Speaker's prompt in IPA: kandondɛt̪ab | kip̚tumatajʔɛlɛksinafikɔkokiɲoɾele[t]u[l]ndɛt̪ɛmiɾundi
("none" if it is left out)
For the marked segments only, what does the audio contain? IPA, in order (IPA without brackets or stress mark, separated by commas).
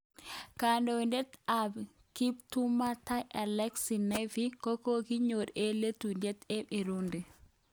t, none